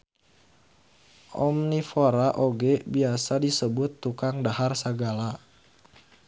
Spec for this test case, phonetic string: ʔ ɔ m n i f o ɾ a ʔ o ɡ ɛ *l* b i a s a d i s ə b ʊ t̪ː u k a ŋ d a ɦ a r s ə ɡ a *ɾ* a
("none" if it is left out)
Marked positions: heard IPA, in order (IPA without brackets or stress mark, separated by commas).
none, l